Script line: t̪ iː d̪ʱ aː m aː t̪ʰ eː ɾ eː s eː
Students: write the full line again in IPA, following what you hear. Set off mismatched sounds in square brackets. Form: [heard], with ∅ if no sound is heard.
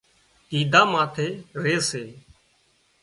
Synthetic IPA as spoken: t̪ iː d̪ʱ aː m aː t̪ʰ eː ɾ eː s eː